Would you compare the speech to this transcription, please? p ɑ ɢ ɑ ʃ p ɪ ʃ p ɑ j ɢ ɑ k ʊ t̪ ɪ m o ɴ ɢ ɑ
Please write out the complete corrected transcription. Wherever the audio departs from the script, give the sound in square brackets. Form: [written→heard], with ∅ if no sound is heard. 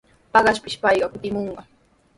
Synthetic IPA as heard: p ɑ ɢ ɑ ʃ p ɪ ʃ p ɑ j ɢ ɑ k ʊ t̪ ɪ m o ɴ ɢ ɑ

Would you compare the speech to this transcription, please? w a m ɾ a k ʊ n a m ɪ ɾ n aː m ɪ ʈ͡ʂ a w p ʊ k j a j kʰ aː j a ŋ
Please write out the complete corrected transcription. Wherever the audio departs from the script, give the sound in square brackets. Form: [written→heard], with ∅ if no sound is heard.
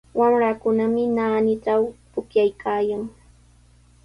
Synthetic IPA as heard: w a m ɾ a k ʊ n a m ɪ [ɾ→∅] n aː [m→n] ɪ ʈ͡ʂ a w p ʊ k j a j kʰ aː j a ŋ

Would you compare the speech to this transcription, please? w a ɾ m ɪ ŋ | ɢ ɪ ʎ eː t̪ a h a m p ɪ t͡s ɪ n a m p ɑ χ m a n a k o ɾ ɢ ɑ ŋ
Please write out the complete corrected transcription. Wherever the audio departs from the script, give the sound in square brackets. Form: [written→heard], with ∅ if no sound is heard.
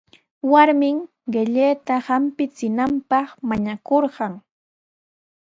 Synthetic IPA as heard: w a ɾ m ɪ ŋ | ɢ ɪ ʎ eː t̪ a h a m p ɪ t͡s ɪ n a m p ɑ χ m a [n→ɲ] a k o ɾ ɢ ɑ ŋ

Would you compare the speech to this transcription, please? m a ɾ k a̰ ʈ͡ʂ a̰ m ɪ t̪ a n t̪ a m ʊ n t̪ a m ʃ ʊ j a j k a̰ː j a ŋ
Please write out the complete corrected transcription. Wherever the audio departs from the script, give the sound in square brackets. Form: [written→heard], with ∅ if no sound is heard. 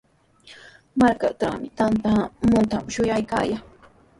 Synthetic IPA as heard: m a ɾ k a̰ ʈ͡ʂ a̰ m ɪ t̪ a n t̪ a m ʊ n t̪ a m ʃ ʊ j a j k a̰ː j a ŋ

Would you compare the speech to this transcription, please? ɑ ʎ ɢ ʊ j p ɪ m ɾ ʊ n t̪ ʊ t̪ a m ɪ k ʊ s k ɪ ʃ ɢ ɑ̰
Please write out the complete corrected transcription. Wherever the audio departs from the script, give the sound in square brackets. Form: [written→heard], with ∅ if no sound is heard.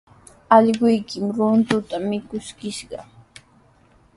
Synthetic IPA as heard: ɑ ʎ ɢ ʊ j [p→k] ɪ m ɾ ʊ n t̪ ʊ t̪ a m ɪ k ʊ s k ɪ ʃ ɢ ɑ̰

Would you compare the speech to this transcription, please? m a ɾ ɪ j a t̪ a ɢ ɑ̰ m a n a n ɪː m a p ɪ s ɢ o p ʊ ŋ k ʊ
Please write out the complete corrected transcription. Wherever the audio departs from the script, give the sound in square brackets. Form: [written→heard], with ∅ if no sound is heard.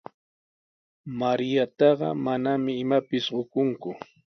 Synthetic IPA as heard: m a ɾ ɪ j a t̪ [a→ɑ] ɢ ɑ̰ m a n a [n→m] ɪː m a p ɪ s ɢ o [p→k] ʊ ŋ k ʊ

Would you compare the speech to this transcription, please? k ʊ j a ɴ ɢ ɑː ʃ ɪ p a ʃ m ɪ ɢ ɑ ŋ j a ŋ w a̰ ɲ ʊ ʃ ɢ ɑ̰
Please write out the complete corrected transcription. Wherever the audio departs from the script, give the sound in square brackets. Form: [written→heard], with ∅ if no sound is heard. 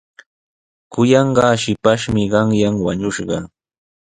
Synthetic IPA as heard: k ʊ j [a→ɑ] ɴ ɢ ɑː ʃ ɪ p a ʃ m ɪ ɢ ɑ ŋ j a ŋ w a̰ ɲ ʊ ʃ ɢ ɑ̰

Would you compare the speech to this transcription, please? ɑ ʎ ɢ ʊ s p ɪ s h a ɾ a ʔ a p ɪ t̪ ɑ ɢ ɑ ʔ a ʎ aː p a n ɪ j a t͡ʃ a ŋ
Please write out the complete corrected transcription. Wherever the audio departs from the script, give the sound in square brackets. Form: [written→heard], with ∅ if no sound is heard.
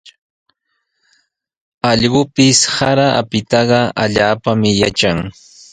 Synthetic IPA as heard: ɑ ʎ ɢ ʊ [s→∅] p ɪ s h a ɾ a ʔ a p ɪ t̪ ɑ ɢ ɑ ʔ a ʎ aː p a [n→m] ɪ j a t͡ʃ a ŋ

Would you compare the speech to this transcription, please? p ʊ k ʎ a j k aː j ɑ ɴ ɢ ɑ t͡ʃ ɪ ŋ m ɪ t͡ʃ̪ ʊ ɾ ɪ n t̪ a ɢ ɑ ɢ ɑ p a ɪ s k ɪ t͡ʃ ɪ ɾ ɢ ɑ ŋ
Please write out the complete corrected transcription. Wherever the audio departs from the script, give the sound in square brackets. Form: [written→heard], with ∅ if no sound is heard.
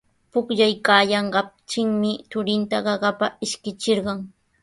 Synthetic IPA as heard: p ʊ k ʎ a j k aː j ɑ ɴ ɢ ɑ t͡ʃ ɪ ŋ m ɪ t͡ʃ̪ ʊ ɾ ɪ n t̪ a ɢ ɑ ɢ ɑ p a ɪ [s→ʃ] k ɪ t͡ʃ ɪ ɾ ɢ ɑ ŋ

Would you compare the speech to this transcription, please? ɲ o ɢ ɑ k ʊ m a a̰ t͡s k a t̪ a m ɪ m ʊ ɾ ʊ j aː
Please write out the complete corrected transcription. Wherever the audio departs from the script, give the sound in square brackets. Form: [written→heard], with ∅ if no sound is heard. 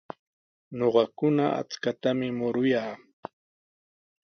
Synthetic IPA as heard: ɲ o ɢ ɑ k ʊ [m→n] a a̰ t͡s k a t̪ a m ɪ m ʊ ɾ ʊ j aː

